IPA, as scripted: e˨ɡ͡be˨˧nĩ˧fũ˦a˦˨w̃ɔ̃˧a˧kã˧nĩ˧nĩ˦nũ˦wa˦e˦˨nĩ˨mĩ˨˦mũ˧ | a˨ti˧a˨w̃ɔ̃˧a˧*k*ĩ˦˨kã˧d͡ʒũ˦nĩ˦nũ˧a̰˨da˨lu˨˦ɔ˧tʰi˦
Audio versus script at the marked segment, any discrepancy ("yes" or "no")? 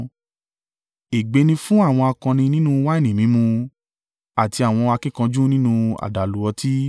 no